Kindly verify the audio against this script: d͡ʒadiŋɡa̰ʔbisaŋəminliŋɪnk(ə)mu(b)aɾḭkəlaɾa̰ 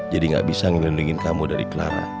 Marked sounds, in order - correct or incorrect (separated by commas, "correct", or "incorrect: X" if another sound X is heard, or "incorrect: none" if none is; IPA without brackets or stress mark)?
incorrect: a, incorrect: d